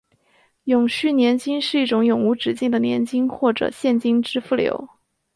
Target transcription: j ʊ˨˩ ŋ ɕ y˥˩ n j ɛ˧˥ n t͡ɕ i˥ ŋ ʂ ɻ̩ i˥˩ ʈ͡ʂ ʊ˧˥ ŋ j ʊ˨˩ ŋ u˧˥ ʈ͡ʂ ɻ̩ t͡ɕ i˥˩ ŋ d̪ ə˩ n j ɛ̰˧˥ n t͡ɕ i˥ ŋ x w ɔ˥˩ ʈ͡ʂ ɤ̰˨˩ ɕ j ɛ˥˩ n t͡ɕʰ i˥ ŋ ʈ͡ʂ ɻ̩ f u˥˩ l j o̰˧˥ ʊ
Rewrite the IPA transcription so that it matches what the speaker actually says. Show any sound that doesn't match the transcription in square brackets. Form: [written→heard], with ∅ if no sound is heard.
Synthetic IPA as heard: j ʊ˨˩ ŋ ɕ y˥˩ n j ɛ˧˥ n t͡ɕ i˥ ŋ ʂ ɻ̩ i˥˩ ʈ͡ʂ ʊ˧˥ ŋ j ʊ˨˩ ŋ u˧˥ ʈ͡ʂ ɻ̩ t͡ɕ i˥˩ ŋ d̪ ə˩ n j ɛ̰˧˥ n t͡ɕ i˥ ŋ x w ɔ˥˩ ʈ͡ʂ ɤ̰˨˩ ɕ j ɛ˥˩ n [t͡ɕʰ→t͡ɕ] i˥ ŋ ʈ͡ʂ ɻ̩ f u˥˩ l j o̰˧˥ ʊ